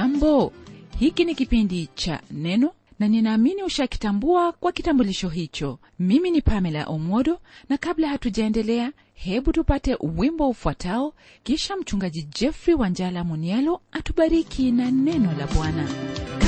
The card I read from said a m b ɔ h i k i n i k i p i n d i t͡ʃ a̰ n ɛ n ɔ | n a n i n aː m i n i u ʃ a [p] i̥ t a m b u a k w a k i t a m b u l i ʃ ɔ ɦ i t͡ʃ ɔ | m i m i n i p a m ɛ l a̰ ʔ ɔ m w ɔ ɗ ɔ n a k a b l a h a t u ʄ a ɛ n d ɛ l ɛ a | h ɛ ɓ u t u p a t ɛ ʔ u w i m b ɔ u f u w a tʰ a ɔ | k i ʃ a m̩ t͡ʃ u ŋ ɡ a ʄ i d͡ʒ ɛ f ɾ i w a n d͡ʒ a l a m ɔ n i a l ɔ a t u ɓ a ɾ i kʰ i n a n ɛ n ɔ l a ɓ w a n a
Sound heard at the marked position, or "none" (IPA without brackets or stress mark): k